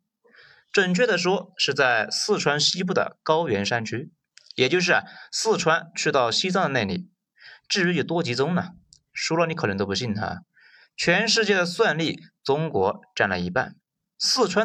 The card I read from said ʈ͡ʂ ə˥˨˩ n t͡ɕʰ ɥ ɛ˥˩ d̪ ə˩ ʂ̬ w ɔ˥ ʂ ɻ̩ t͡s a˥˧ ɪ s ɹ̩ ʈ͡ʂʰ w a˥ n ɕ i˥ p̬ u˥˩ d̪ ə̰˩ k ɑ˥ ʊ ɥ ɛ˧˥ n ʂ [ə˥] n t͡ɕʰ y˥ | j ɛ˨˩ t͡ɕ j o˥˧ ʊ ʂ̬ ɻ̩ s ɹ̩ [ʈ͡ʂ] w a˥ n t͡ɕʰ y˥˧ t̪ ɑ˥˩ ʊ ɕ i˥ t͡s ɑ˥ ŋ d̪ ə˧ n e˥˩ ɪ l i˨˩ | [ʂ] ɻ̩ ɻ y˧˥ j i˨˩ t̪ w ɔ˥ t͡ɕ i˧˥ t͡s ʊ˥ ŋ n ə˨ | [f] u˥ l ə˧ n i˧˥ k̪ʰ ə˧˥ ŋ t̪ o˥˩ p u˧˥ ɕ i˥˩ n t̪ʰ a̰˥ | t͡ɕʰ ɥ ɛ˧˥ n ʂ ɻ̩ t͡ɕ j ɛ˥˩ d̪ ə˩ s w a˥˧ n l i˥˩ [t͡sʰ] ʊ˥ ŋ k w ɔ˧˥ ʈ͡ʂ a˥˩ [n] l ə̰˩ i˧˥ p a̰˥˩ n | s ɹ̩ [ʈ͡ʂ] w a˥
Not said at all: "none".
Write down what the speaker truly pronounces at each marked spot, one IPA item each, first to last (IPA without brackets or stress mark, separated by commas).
a˥, ʈ͡ʂʰ, ʈ͡ʂ, ʂ, t͡s, n, ʈ͡ʂʰ